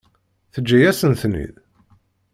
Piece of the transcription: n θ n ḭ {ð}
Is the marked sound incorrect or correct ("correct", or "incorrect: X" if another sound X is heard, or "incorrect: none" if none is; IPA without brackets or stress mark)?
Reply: correct